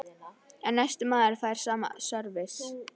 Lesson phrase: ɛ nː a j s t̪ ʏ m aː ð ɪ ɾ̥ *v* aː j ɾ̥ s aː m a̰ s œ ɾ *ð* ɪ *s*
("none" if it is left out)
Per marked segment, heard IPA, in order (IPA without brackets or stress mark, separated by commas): f, v, s